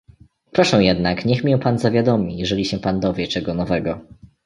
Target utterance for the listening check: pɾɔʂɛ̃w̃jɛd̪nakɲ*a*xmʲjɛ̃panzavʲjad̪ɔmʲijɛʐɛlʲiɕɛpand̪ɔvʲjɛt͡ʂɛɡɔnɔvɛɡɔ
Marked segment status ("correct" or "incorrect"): incorrect